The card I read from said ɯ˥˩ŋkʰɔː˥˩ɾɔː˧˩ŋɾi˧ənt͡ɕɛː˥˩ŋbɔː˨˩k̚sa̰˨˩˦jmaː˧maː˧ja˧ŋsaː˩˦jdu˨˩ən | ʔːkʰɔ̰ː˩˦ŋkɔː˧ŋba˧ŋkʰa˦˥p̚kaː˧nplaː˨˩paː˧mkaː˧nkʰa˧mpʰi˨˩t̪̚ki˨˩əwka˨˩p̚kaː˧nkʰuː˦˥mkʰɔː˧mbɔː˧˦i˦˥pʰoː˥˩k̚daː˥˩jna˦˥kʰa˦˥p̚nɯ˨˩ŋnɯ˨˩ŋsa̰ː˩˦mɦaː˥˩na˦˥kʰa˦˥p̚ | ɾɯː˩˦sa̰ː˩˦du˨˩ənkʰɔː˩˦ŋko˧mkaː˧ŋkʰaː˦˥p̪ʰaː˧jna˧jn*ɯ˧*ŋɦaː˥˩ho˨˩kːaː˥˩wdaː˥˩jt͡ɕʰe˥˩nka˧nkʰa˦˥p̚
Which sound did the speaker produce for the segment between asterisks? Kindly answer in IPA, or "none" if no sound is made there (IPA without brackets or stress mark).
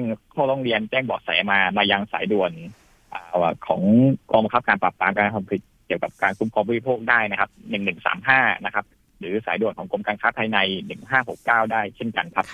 ɯ˨˩